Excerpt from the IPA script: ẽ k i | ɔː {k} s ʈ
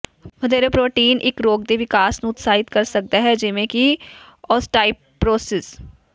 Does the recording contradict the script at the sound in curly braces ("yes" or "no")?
yes